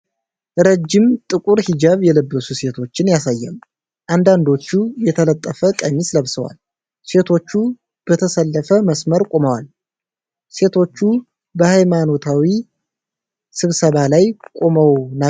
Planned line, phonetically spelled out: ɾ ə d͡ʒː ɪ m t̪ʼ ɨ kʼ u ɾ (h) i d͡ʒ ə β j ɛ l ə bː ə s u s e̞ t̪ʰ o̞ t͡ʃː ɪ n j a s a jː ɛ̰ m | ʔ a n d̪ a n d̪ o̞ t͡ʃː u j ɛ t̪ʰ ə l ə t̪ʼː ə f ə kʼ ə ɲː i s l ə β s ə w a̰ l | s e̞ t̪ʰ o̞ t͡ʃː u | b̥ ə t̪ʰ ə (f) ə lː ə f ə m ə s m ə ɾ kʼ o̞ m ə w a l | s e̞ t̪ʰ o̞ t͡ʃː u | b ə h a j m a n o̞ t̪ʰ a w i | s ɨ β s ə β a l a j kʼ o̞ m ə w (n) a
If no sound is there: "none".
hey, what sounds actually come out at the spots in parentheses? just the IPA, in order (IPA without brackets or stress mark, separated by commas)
h, s, n